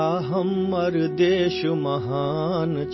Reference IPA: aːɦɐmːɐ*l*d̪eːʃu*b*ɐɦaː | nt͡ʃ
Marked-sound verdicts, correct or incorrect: incorrect, incorrect

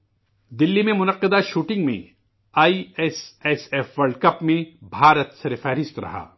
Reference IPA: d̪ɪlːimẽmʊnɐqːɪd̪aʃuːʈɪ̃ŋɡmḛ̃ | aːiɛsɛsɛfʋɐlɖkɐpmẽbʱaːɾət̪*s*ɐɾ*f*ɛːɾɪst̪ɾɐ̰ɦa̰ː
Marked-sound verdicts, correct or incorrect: correct, correct

